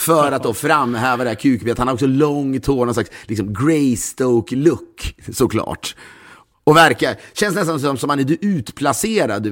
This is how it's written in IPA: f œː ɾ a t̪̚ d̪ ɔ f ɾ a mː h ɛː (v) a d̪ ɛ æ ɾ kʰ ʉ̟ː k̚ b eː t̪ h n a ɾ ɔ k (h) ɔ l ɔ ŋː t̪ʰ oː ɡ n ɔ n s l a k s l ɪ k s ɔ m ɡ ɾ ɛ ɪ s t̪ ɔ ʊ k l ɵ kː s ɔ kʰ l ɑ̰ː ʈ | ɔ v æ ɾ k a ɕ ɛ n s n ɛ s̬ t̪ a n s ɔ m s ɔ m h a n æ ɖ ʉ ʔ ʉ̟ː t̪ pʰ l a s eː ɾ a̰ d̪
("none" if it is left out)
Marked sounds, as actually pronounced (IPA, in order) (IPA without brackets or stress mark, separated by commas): v, s